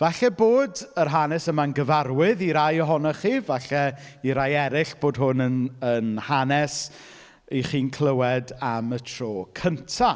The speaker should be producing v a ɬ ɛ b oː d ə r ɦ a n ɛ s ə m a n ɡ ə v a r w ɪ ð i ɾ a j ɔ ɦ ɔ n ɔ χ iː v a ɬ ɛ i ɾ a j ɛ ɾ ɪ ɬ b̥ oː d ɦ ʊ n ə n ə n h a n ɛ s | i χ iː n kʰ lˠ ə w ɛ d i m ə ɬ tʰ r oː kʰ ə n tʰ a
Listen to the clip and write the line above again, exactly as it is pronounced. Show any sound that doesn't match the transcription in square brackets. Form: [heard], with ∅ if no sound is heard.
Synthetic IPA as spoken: v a ɬ ɛ b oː d ə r ɦ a n ɛ s ə m a n ɡ ə v a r w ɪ ð i ɾ a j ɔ ɦ ɔ n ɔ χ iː v a ɬ ɛ i ɾ a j ɛ ɾ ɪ ɬ b̥ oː d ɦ ʊ n ə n ə n h a n ɛ s | i χ iː n kʰ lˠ ə w ɛ d [a] m ə [∅] tʰ r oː kʰ ə n tʰ a